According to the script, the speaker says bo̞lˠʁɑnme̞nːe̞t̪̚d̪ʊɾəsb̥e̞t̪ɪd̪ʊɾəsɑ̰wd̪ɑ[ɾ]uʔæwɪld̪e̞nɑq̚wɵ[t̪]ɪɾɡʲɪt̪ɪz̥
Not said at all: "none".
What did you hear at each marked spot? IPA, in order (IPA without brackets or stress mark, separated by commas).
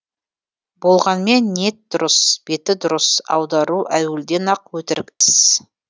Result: ɾ, t̪